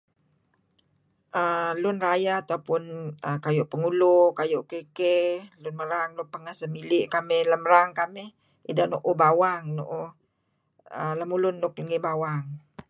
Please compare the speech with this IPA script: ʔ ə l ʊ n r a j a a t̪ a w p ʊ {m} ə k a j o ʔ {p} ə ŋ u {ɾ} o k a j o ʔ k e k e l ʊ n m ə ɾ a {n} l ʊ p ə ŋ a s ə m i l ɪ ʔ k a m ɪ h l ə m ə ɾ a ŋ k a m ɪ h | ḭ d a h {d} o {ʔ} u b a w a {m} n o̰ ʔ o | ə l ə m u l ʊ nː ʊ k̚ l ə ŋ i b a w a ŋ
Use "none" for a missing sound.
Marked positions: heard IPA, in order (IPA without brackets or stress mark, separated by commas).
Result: n, p, l, ŋ, n, ʔ, ŋ